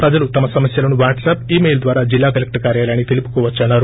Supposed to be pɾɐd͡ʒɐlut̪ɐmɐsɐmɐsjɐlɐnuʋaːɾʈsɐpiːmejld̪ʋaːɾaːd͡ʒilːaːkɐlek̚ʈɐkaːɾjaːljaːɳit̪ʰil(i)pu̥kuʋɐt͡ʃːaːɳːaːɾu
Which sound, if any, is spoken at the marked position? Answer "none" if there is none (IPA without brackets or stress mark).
i